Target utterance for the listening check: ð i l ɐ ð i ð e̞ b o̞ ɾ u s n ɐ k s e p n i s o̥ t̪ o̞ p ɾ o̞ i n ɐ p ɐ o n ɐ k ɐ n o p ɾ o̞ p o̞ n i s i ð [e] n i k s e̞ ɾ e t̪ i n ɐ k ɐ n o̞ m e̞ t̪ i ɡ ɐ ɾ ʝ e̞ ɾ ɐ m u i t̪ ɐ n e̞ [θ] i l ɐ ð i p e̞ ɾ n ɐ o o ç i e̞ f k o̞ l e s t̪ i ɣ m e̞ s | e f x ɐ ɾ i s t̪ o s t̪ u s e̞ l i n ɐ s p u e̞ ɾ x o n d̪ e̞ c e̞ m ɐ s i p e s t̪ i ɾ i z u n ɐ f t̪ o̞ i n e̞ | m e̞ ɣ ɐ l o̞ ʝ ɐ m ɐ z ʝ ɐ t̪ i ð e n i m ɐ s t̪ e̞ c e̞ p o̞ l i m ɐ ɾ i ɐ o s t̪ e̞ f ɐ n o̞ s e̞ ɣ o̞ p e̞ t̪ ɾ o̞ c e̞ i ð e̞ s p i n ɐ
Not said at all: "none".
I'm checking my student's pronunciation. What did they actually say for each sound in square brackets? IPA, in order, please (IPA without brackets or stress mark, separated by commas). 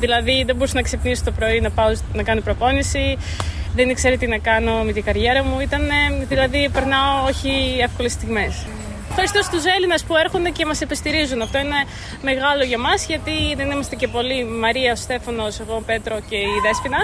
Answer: e, ð